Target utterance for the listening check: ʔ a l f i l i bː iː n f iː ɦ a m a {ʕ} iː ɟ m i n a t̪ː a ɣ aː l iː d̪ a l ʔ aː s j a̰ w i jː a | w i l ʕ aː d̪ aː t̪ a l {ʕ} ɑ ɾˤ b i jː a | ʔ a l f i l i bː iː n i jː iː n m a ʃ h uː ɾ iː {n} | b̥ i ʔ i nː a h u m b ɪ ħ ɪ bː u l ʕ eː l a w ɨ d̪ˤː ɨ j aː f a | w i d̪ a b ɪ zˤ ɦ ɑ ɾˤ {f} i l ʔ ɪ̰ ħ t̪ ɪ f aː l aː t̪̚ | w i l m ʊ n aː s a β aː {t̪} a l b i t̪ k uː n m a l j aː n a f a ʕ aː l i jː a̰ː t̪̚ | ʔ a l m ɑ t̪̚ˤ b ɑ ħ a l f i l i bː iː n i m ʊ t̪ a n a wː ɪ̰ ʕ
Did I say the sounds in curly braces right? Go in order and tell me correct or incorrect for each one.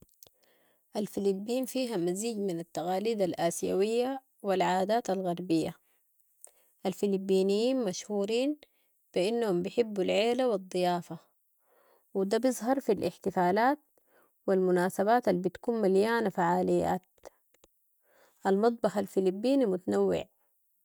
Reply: incorrect: z, incorrect: ɣ, correct, correct, correct

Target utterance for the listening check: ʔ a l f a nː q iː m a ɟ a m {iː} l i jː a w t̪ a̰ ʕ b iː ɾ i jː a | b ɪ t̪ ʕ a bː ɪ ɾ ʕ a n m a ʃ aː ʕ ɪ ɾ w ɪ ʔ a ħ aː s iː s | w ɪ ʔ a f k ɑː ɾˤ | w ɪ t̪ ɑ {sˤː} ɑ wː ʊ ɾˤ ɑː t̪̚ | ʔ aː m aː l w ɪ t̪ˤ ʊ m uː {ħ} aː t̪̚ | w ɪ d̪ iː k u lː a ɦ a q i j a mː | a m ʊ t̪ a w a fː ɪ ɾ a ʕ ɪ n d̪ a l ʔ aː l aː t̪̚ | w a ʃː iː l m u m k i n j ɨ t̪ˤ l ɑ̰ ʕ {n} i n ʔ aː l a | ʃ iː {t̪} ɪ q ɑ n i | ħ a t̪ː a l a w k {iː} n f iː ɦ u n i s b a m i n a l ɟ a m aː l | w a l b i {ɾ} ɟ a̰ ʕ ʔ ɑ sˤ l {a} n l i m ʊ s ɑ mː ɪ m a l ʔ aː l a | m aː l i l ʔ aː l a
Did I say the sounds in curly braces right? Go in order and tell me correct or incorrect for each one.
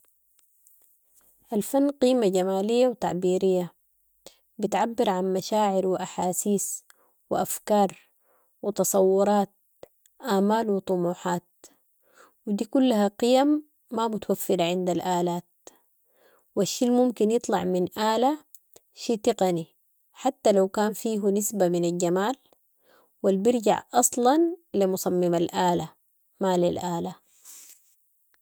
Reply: incorrect: aː, incorrect: sˤ, correct, incorrect: m, correct, incorrect: aː, correct, incorrect: ɑ

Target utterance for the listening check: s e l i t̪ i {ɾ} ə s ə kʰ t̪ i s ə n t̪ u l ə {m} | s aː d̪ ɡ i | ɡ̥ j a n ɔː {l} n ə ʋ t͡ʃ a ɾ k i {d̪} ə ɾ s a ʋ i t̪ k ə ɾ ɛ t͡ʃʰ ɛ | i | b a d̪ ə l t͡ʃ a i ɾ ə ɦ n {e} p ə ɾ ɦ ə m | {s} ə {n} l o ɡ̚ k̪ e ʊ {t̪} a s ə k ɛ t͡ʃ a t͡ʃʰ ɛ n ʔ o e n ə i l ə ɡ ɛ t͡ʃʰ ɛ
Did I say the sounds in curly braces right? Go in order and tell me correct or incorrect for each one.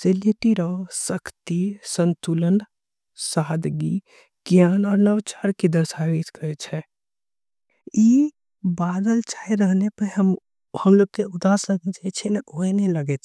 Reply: correct, incorrect: n, incorrect: ɾ, correct, correct, incorrect: h, incorrect: m, incorrect: d̪

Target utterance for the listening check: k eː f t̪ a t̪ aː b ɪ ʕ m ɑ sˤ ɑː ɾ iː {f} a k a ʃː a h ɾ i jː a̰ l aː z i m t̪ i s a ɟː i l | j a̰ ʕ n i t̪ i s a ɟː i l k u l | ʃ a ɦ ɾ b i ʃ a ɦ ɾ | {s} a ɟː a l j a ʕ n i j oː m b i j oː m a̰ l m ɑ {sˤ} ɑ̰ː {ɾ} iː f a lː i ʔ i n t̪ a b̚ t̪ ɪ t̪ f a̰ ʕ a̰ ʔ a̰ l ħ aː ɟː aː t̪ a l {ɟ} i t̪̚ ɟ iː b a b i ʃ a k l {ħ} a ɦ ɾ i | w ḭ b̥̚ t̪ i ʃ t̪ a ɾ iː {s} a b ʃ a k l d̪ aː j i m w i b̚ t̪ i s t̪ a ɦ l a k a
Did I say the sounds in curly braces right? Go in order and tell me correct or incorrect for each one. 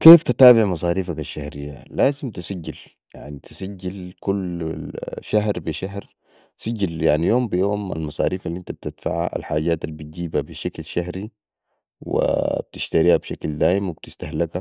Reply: correct, correct, correct, correct, incorrect: b, incorrect: ʃ, incorrect: h

